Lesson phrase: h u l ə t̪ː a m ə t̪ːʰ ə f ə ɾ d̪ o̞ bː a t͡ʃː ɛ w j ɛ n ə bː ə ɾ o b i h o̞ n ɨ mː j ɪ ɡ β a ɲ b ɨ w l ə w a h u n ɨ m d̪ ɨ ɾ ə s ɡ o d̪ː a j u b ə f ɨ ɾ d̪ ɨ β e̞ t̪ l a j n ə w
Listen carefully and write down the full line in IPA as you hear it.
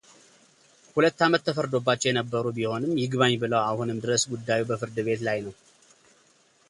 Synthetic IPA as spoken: h u l ə t̪ː a m ə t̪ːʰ ə f ə ɾ d̪ o̞ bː a t͡ʃː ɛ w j ɛ n ə bː ə ɾ u b i h o̞ n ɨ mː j ɪ ɡ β a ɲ b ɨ l ə w a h u n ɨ m d̪ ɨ ɾ ə s ɡ u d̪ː a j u b ə f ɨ ɾ d̪ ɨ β e̞ t̪ l a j n ə w